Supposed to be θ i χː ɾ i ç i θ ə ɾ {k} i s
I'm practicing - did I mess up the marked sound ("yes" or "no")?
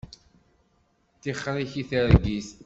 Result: yes